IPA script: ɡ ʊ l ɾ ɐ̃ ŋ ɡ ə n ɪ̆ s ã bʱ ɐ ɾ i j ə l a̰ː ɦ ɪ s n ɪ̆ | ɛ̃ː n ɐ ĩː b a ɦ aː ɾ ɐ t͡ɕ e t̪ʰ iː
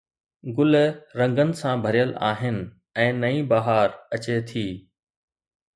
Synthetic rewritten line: ɡ ʊ l ɾ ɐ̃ ŋ ɡ ə n ɪ̆ s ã bʱ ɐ ɾ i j ə l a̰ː ɦ ɪ n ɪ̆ | ɛ̃ː n ɐ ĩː b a ɦ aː ɾ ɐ t͡ɕ e t̪ʰ iː

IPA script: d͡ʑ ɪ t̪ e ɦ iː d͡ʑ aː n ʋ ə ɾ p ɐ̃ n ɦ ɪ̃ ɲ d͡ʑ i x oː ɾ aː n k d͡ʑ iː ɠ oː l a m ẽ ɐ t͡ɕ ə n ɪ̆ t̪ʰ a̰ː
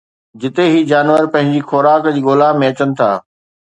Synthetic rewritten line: d͡ʑ ɪ t̪ e ɦ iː d͡ʑ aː n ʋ ə ɾ p ɐ̃ ɦ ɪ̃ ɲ d͡ʑ i x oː ɾ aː k d͡ʑ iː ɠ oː l a m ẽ ɐ t͡ɕ ə n ɪ̆ t̪ʰ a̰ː

